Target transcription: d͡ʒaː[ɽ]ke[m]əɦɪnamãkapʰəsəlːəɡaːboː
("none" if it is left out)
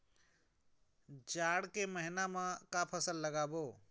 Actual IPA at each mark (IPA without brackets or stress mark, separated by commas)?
ɽ, m